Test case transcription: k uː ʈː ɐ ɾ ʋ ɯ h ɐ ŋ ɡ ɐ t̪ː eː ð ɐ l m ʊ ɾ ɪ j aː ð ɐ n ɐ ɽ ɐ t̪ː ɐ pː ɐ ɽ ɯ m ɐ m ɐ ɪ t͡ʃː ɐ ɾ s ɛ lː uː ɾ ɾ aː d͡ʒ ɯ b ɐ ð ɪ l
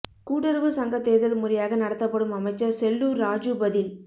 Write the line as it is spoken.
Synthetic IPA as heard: k uː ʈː ɐ ɾ ʋ ɯ s ɐ ŋ ɡ ɐ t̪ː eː ð ɐ l m ʊ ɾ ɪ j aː ɣ ɐ n ɐ ɽ ɐ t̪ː ɐ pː ɐ ɽ ɯ m ɐ m ɐ ɪ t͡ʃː ɐ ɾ s ɛ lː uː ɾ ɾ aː d͡ʒ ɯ b ɐ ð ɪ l